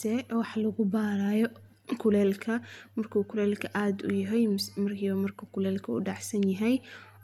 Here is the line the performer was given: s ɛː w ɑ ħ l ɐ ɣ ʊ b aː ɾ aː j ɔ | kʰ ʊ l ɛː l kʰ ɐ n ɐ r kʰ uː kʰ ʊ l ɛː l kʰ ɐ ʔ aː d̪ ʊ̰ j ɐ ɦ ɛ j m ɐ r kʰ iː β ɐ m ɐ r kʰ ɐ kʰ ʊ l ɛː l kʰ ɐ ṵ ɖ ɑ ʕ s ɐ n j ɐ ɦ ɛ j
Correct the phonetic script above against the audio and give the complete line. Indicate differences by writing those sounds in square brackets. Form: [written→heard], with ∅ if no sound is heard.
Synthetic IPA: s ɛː w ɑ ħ l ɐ ɣ ʊ b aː ɾ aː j ɔ | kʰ ʊ l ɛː l kʰ ɐ [n→m] ɐ r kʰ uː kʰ ʊ l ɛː l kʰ ɐ ʔ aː d̪ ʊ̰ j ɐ ɦ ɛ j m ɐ r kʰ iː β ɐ m ɐ r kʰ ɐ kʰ ʊ l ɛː l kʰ ɐ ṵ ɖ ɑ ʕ s ɐ n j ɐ ɦ ɛ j